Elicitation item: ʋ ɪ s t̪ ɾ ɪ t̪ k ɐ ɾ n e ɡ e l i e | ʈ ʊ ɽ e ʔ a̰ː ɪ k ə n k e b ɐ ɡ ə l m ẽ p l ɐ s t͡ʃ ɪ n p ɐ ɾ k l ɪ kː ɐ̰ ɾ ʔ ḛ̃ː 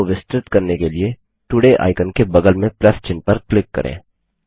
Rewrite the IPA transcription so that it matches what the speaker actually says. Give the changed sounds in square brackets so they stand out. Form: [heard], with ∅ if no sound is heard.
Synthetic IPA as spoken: ʋ ɪ s t̪ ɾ ɪ t̪ k ɐ ɾ n e [k] e l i e | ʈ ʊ ɽ e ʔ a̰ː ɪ k ə n k e b ɐ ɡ ə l m ẽ p l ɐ s t͡ʃ ɪ n p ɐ ɾ k l ɪ kː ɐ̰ ɾ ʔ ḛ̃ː